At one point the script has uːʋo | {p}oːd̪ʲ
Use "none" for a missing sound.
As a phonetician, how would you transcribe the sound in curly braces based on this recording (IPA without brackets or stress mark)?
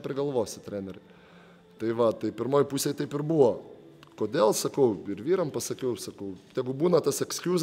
k